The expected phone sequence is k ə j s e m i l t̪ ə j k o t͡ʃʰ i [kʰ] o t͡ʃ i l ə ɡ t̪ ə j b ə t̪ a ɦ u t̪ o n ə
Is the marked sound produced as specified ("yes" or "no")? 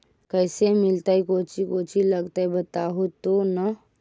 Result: no